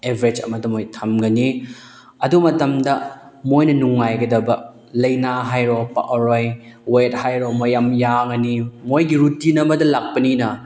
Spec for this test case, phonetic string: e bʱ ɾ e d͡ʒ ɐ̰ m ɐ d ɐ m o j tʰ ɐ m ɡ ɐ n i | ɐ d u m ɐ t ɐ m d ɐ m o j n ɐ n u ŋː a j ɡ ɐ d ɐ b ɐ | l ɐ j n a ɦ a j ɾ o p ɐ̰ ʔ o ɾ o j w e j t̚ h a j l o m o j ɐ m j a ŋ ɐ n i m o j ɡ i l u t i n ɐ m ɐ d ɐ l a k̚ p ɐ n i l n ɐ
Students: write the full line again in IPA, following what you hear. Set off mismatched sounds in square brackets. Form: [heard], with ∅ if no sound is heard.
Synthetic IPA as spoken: e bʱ ɾ e d͡ʒ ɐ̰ m ɐ d ɐ m o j tʰ ɐ m ɡ ɐ n i | ɐ d u m ɐ t ɐ m d ɐ m o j n ɐ n u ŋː a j ɡ ɐ d ɐ b ɐ | l ɐ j n a ɦ a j ɾ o p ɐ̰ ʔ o ɾ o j w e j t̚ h a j [ɾ] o m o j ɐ m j a ŋ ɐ n i m o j ɡ i [ɾ] u t i n ɐ m ɐ d ɐ l a k̚ p ɐ n i [∅] n ɐ

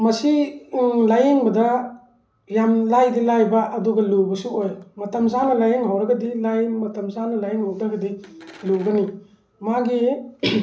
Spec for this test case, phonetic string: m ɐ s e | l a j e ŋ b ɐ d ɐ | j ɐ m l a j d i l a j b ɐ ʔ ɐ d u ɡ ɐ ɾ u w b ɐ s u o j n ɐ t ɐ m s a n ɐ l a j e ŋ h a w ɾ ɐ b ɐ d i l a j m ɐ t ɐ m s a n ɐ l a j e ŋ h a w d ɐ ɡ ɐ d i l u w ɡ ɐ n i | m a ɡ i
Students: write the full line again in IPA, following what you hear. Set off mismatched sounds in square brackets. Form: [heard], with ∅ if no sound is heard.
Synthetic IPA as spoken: m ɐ s [i] | l a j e ŋ b ɐ d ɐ | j [a] m l a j d i l a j b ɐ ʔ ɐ d u ɡ ɐ [l] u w b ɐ s u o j [m] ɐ t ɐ m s a n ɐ l a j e ŋ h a w ɾ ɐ [ɡ] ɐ d i l a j m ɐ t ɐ m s a n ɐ l a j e ŋ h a w d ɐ ɡ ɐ d i l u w ɡ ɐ n i | m a ɡ i

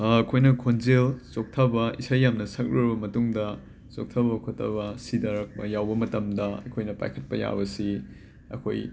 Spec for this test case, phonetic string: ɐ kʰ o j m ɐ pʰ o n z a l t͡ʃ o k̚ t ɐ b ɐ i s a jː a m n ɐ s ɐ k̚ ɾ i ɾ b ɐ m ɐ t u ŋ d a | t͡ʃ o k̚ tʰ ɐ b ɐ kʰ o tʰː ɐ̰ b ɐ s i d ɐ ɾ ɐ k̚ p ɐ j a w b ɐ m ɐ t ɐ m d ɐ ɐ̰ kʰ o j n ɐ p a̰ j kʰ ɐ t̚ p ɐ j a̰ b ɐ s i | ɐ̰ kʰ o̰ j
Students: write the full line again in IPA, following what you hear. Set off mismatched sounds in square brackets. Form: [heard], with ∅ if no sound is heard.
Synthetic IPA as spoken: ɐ kʰ o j [n] ɐ [kʰ] o n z [e] l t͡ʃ o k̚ [tʰ] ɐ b ɐ i s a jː a m n ɐ s ɐ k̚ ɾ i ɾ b ɐ m ɐ t u ŋ d [ɐ] | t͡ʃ o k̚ tʰ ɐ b ɐ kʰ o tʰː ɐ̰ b ɐ s i d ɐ ɾ ɐ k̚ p ɐ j a w b ɐ m ɐ t ɐ m d ɐ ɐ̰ kʰ o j n ɐ p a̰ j kʰ ɐ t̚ p ɐ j a̰ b ɐ s i | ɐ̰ kʰ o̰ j

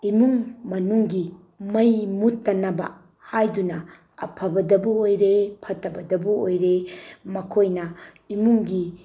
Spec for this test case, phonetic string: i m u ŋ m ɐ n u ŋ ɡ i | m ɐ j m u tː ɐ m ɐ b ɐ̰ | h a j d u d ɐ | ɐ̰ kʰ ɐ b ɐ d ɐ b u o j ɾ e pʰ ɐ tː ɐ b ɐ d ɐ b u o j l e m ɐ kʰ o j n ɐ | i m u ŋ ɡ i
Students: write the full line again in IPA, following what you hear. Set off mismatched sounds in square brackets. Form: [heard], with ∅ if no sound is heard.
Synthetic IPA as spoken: i m u ŋ m ɐ n u ŋ ɡ i | m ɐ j m u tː ɐ [n] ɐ b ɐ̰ | h a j d u [n] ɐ | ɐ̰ [pʰ] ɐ b ɐ d ɐ b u o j ɾ e pʰ ɐ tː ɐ b ɐ d ɐ b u o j [ɾ] e m ɐ kʰ o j n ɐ | i m u ŋ ɡ i

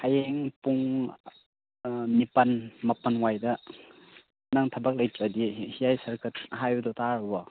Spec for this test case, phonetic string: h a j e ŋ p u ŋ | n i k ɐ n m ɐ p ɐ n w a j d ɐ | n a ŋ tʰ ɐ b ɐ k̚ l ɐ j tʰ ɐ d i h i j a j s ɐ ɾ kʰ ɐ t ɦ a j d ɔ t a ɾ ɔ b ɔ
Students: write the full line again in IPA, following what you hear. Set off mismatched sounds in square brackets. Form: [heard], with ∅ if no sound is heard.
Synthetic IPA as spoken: h a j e ŋ p u ŋ | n i [p] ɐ n m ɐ p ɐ n w a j d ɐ | n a ŋ tʰ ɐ b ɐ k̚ l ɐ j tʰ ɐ d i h i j a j s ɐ ɾ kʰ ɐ t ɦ a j d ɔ t a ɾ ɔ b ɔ

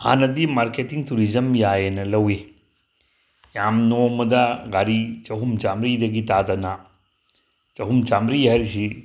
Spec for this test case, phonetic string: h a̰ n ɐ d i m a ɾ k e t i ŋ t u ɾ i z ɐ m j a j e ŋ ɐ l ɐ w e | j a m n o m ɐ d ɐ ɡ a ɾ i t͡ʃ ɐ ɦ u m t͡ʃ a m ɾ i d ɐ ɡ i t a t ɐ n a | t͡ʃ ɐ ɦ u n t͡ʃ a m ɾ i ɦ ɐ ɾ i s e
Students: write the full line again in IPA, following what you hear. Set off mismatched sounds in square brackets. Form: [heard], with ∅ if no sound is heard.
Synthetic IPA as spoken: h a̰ n ɐ d i m a ɾ k e t i ŋ t u ɾ i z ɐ m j a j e [n] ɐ l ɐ w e | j a m n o m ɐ d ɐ ɡ a ɾ i t͡ʃ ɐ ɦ u m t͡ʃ a m ɾ i d ɐ ɡ i t a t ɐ n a | t͡ʃ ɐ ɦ u [m] t͡ʃ a m ɾ i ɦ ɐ ɾ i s [i]

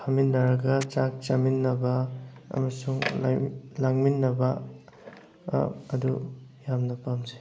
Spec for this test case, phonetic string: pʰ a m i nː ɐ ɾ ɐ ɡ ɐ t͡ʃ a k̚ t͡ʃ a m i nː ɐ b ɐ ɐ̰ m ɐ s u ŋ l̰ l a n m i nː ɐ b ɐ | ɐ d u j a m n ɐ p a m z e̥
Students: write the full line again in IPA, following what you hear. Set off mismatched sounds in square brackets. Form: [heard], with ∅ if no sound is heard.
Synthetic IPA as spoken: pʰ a m i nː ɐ ɾ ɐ ɡ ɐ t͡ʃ a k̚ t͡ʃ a m i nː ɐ b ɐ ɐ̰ m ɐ s u ŋ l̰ l a [ŋ] m i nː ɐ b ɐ | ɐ d u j a m n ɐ p a m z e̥

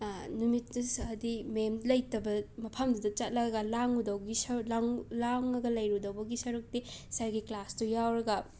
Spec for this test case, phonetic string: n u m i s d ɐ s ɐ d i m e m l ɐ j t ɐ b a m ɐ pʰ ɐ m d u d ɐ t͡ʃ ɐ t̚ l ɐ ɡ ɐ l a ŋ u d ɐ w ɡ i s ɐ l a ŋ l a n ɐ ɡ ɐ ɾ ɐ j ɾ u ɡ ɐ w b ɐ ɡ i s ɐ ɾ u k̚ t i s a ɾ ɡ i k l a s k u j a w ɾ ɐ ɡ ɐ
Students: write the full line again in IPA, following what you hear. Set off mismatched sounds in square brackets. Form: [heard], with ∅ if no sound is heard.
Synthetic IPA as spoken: n u m i [t] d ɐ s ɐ d i m e m l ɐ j t ɐ b [ɐ] m ɐ pʰ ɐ m d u d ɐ t͡ʃ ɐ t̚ l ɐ ɡ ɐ l a ŋ u d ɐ w ɡ i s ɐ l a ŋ l a [ŋ] ɐ ɡ ɐ [l] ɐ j ɾ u [d] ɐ w b ɐ ɡ i s ɐ ɾ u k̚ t i s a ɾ ɡ i k l a s [t] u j a w ɾ ɐ ɡ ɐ

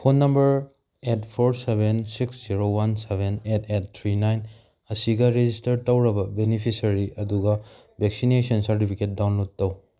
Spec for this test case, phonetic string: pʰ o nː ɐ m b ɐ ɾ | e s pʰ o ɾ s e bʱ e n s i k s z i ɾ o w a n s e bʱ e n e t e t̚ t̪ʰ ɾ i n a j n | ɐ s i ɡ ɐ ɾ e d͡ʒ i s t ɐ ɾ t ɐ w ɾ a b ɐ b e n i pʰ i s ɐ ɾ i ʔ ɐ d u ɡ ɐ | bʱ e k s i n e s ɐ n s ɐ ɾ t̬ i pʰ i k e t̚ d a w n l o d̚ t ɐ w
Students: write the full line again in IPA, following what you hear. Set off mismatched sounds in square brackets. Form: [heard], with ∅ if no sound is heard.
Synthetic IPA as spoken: pʰ o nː ɐ m b ɐ ɾ | e [t] pʰ o ɾ s e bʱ e n s i k s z i ɾ o w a n s e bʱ e n e t e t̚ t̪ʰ ɾ i n a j n | ɐ s i ɡ ɐ ɾ e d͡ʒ i s t ɐ ɾ t ɐ w ɾ [ɐ] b ɐ b e n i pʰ i s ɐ ɾ i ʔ ɐ d u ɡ ɐ | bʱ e k s i n e s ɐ n s ɐ ɾ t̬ i pʰ i k e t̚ d a w n l o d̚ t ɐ w

